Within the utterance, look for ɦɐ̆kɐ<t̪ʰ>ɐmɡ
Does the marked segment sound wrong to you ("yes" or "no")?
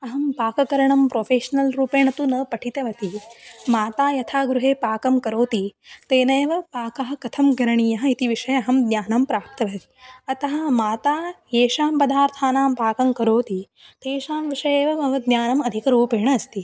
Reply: no